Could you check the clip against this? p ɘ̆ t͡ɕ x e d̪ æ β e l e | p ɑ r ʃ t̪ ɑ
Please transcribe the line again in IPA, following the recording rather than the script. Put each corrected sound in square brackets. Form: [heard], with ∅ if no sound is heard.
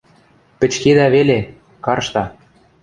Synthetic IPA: p ɘ̆ t͡ɕ [k] e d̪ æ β e l e | [k] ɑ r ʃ t̪ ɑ